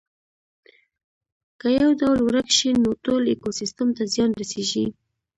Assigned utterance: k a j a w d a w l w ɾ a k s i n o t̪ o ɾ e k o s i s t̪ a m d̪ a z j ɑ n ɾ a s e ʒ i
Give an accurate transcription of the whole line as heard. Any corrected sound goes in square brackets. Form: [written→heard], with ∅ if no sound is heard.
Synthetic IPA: k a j a w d a w l w ɾ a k [s→ʃ] i n o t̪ o [ɾ→l] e k o s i s t̪ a m [d̪→t̪] a z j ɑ n ɾ a s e ʒ i